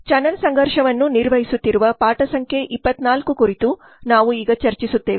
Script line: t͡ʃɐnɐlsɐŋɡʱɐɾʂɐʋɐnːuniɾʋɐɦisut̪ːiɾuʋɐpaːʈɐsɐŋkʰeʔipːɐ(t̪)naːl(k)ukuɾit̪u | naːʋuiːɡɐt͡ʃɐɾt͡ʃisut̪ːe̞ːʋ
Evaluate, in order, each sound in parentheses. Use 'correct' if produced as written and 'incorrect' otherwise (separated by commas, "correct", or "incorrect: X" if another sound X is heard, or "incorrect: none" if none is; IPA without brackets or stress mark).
correct, correct